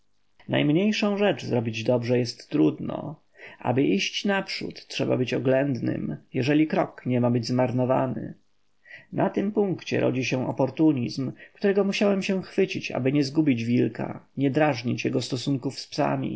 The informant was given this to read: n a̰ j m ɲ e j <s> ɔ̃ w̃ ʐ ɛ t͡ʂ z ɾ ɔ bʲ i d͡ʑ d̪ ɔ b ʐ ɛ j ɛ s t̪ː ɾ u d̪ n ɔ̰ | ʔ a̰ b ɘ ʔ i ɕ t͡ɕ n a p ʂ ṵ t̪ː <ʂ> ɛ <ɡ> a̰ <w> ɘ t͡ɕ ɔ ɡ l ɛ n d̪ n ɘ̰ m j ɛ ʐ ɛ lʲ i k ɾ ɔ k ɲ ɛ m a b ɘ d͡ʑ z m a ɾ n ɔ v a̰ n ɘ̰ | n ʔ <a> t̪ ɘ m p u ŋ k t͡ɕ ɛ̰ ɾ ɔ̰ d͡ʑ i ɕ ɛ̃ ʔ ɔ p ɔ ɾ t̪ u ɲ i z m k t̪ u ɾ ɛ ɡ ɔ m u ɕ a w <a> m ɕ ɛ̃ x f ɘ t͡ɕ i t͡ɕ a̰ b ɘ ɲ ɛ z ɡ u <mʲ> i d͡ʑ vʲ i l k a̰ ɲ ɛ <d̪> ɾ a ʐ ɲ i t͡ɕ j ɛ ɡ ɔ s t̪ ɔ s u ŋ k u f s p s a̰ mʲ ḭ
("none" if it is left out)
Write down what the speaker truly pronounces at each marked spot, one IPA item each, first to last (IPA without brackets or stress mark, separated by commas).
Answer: ʂ, ʂ, b, b, a, ɛ, bʲ, d̪